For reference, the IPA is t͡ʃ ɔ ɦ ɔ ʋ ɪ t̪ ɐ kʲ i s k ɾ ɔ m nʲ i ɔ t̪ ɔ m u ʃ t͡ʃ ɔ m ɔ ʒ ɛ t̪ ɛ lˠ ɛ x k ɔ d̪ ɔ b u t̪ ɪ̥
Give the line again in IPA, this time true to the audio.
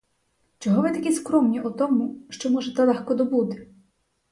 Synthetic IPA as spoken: t͡ʃ ɔ ɦ ɔ ʋ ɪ t̪ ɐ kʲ i s k ɾ ɔ m nʲ i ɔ t̪ ɔ m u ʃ t͡ʃ ɔ m ɔ ʒ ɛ t̪ ɛ lˠ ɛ x k ɔ d̪ ɔ b u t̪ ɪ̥